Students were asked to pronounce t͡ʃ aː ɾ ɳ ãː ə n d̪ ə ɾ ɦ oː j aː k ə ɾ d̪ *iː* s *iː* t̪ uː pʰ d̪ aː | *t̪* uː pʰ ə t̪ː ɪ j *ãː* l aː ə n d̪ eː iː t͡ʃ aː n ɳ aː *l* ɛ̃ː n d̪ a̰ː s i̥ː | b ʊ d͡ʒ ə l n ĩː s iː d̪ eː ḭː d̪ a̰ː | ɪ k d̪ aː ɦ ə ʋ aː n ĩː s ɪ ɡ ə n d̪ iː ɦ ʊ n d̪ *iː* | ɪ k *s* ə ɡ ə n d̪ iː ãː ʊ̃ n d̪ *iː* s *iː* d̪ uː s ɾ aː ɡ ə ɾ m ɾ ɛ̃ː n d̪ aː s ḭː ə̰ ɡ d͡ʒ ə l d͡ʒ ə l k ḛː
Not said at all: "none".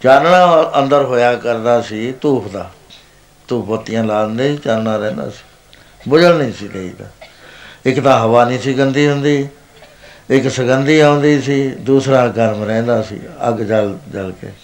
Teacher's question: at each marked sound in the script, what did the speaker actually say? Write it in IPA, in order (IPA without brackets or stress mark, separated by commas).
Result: aː, iː, t̪, ãː, ɾ, iː, s, iː, iː